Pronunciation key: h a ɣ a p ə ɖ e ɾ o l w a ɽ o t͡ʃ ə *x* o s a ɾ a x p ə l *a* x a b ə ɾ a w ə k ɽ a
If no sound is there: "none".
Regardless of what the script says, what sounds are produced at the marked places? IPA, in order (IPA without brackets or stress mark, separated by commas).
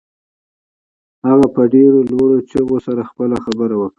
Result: ɣ, a